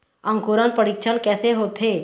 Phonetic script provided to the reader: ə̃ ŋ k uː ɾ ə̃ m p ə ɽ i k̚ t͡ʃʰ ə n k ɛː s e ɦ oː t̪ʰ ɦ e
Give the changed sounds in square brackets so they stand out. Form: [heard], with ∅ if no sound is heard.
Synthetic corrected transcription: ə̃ ŋ k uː ɾ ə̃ [n] p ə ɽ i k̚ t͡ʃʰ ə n k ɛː s e ɦ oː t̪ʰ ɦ e